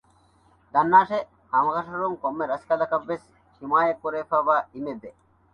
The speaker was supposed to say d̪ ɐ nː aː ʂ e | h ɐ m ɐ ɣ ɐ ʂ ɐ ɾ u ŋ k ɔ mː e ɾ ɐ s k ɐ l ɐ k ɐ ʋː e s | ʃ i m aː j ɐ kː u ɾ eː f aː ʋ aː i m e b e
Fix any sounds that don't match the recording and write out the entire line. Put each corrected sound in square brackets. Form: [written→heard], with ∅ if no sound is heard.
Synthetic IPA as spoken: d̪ ɐ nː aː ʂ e | h ɐ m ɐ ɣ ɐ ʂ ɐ ɾ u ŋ k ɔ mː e ɾ ɐ s k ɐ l ɐ k ɐ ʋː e s | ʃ i m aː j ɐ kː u ɾ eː f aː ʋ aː i m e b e